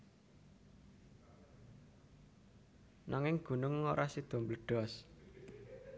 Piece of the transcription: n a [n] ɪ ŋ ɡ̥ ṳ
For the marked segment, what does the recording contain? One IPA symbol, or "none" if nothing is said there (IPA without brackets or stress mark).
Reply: ŋ